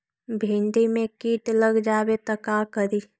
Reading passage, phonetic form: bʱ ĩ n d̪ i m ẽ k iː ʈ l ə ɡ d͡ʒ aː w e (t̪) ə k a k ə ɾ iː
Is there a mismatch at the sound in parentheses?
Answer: no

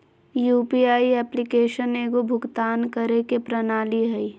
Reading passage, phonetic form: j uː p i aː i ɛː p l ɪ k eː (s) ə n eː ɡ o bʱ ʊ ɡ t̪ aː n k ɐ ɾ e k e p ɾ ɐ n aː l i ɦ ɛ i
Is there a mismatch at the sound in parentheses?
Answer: yes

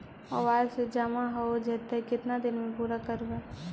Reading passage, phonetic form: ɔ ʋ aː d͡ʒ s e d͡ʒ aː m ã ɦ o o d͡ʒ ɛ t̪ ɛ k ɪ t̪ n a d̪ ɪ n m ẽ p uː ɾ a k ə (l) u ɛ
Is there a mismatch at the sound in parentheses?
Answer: yes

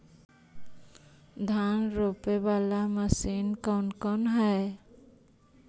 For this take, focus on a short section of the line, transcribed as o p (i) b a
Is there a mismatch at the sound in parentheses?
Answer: yes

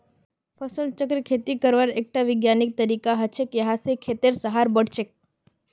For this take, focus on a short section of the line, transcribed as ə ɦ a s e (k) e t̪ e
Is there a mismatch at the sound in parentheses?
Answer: yes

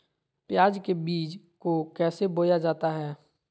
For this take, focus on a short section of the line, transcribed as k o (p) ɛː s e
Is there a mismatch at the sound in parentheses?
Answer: yes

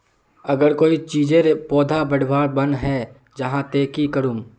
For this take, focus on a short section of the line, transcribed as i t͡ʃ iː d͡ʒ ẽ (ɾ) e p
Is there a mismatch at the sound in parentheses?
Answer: no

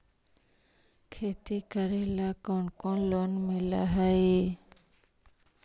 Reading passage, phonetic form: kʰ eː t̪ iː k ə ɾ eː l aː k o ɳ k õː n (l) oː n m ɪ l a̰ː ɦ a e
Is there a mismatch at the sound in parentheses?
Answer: no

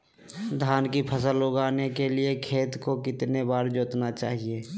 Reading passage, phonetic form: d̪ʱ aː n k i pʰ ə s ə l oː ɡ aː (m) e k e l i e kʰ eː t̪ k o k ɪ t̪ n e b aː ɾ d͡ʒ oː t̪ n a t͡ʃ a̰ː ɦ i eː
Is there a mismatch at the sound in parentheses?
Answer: yes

